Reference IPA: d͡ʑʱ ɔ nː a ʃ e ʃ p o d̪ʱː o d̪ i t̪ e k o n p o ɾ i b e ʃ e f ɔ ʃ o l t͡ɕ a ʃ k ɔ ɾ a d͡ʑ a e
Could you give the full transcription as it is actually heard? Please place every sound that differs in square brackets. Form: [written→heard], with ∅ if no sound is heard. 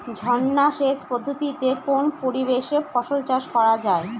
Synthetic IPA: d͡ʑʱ ɔ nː a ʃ e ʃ p o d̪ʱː o [d̪→t̪] i t̪ e k o n p o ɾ i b e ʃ e f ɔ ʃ o l t͡ɕ a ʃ k ɔ ɾ a d͡ʑ a e